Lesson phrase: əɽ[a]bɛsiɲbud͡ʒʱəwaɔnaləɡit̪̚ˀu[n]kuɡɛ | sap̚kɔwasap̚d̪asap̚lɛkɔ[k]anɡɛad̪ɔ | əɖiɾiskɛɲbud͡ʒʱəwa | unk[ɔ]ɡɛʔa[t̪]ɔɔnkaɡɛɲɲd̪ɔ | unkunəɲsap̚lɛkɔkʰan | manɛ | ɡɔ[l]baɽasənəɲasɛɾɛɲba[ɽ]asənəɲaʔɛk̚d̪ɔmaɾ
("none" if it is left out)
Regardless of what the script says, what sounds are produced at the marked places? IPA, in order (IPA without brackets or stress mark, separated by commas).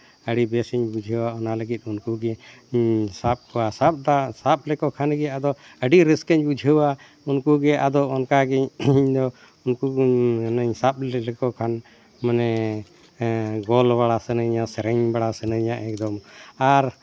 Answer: i, n, kʰ, u, d̪, l, ɽ